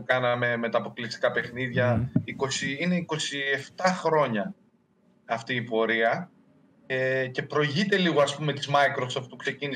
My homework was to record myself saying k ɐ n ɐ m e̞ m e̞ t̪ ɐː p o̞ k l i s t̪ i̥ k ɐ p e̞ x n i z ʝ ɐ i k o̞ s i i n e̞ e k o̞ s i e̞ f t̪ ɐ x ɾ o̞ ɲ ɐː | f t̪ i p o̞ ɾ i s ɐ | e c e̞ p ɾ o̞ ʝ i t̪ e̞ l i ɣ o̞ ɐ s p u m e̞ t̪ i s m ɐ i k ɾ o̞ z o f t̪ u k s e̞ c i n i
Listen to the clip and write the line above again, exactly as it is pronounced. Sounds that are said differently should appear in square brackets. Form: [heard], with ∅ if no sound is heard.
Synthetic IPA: k ɐ n ɐ m e̞ m e̞ t̪ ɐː p o̞ k l i s t̪ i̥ k ɐ p e̞ x n i [ð] ʝ ɐ i k o̞ s i i n e̞ [i] k o̞ s i e̞ f t̪ ɐ x ɾ o̞ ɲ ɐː | f t̪ [iː] p o̞ ɾ i [∅] ɐ | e c e̞ p ɾ o̞ ʝ i t̪ e̞ l i ɣ o̞ ɐ s p u m e̞ t̪ i [z] m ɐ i k ɾ o̞ [s] o f t̪ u k s e̞ c i n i